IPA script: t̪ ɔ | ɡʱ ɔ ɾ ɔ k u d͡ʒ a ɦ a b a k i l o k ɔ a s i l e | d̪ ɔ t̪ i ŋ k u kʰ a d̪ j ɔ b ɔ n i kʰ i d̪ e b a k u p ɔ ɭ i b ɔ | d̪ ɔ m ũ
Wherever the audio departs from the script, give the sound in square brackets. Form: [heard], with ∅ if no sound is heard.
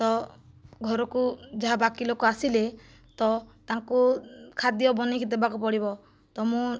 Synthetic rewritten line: t̪ ɔ | ɡʱ ɔ ɾ ɔ k u d͡ʒ a ɦ a b a k i l o k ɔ a s i l e | [t̪] ɔ t̪ [a] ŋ k u kʰ a d̪ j ɔ b ɔ n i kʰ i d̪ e b a k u p ɔ [ɽ] i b ɔ | [t̪] ɔ m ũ